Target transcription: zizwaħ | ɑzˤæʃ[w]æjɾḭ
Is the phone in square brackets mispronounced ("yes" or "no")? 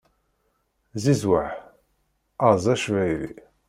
yes